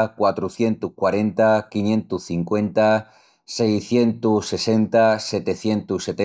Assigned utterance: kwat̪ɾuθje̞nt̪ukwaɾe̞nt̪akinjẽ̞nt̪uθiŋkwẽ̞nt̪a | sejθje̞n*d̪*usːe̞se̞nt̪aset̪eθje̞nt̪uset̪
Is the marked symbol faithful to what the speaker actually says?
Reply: no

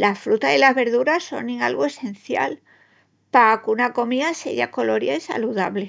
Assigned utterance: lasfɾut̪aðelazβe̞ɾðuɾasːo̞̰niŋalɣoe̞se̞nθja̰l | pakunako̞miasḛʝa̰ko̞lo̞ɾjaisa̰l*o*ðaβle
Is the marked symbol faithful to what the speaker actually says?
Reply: no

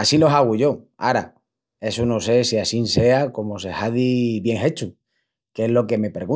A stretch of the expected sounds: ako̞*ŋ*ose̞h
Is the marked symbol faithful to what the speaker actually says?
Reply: no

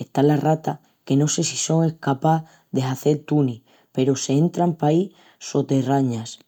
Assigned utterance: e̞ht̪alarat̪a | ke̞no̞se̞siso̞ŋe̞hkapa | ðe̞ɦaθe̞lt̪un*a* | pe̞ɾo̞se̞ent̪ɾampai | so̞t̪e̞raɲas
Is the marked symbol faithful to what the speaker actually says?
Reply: no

